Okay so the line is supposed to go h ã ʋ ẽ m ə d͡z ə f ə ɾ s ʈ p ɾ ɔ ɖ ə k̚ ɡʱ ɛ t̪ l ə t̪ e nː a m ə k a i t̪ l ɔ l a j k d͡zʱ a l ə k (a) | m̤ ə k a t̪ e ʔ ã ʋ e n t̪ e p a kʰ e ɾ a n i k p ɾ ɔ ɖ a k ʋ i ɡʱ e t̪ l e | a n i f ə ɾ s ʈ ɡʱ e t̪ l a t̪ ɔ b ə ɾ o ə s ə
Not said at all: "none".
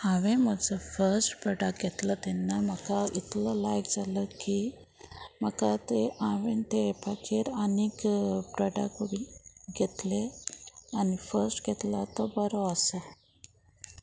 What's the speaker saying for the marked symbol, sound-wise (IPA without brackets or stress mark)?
i